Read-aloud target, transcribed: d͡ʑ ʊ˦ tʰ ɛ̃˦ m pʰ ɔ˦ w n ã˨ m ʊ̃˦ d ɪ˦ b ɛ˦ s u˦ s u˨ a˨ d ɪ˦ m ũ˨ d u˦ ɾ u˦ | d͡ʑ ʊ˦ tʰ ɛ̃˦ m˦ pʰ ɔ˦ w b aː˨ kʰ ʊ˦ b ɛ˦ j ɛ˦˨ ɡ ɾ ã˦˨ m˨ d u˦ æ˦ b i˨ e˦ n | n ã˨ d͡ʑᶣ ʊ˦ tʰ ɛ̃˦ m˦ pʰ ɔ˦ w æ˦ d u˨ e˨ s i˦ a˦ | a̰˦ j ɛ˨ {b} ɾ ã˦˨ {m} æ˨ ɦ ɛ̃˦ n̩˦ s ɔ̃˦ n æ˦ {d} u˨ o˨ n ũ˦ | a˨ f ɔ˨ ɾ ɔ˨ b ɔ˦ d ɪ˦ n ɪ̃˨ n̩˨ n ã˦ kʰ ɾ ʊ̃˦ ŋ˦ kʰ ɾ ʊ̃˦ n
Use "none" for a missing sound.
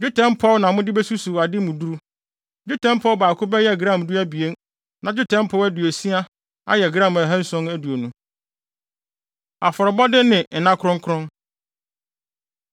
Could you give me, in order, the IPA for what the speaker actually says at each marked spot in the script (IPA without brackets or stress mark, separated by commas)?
ɡ, m, d